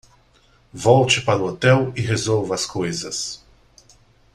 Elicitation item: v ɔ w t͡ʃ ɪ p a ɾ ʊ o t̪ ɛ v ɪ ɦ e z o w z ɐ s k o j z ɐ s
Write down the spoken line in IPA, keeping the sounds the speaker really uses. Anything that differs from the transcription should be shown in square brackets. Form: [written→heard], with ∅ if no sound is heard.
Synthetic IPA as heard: v ɔ w t͡ʃ ɪ p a ɾ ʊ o t̪ ɛ [v→w] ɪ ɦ e z o w [z→v] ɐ s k o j z ɐ s